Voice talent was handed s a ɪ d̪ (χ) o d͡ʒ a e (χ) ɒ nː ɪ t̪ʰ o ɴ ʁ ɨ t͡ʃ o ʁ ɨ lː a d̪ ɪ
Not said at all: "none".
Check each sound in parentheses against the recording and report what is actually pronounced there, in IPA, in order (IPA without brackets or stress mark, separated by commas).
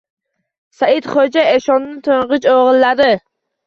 χ, ʃ